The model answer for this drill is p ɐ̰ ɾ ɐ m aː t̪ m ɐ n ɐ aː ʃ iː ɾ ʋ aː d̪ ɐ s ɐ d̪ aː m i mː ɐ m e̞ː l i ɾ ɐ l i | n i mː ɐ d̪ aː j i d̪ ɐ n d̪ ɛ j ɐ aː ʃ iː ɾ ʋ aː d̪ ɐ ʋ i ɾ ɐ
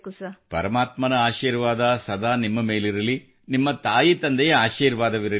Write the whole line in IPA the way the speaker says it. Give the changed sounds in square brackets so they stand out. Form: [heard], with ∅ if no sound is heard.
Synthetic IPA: p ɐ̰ ɾ ɐ m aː t̪ m ɐ n ɐ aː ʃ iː ɾ ʋ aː d̪ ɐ s ɐ d̪ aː [n] i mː ɐ m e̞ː l i ɾ ɐ l i | n i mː ɐ [t̪] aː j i [t̪] ɐ n d̪ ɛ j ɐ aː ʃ iː ɾ ʋ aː d̪ ɐ ʋ i ɾ ɐ